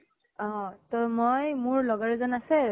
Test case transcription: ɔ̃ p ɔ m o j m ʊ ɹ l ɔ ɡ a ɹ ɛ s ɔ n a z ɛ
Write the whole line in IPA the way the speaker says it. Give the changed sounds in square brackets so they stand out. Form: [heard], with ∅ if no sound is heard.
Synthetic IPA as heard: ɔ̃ [t] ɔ m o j m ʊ ɹ l ɔ ɡ a ɹ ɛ [z] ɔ n a [s] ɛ